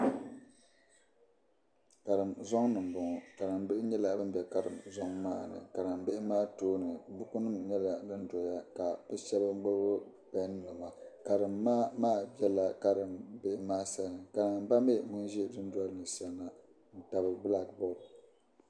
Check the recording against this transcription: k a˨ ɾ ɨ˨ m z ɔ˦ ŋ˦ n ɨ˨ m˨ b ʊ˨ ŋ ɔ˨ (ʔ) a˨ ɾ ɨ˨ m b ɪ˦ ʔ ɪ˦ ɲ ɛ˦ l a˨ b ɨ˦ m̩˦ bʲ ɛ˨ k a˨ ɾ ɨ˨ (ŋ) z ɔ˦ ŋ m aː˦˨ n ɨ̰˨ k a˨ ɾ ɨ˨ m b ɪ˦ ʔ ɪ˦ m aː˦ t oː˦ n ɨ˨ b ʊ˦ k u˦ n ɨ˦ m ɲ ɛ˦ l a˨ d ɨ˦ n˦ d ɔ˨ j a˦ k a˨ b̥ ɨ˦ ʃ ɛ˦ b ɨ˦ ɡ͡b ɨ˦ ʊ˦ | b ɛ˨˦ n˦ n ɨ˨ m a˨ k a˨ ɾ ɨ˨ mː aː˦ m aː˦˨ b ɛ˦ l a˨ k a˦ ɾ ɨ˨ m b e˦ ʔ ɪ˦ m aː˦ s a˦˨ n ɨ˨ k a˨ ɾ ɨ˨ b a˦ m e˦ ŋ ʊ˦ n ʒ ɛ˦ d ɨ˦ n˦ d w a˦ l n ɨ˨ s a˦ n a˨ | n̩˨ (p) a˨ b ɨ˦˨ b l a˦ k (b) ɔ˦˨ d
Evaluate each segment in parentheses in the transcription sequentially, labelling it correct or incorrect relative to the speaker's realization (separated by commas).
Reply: incorrect, incorrect, incorrect, correct